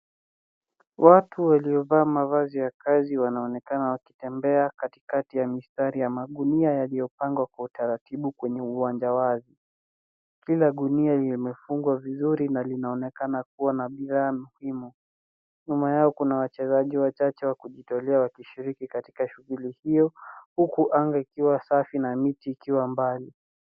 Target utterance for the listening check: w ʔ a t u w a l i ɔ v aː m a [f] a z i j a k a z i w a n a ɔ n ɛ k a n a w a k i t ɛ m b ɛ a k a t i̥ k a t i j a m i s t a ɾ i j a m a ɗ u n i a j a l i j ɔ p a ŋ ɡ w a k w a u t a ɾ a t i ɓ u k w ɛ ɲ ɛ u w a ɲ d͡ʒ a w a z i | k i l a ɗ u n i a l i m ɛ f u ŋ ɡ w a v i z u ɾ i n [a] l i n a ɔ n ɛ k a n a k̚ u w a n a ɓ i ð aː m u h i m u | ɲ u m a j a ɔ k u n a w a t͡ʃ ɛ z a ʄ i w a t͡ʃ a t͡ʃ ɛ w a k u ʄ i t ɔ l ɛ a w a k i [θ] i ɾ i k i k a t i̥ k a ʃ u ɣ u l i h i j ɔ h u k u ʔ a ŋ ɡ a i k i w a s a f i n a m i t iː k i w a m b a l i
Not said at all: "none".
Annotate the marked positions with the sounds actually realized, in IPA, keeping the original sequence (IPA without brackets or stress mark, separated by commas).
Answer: v, a, ʃ